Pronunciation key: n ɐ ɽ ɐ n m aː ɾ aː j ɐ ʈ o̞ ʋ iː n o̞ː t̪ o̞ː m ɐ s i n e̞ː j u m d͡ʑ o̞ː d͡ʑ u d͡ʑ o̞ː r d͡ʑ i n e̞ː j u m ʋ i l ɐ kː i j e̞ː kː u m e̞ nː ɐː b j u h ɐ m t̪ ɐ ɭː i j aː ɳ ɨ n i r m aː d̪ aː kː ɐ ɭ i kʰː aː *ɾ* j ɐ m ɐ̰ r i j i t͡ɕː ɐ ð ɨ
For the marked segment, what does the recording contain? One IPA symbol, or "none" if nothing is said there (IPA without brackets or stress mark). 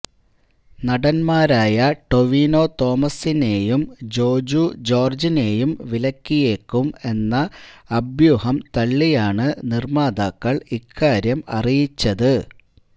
ɾ